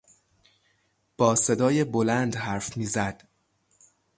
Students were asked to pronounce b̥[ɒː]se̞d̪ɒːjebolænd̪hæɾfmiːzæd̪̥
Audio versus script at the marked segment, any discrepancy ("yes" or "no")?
no